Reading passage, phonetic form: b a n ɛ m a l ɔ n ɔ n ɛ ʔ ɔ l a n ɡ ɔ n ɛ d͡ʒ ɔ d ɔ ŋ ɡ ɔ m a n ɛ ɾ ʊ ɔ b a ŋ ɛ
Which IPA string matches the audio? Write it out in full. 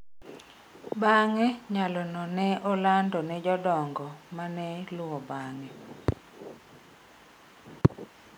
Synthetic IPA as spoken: b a ŋ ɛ ɲ a l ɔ n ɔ n ɛ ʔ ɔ l a n d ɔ n ɛ d͡ʒ ɔ d ɔ ŋ ɡ ɔ m a n ɛ l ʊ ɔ b a ŋ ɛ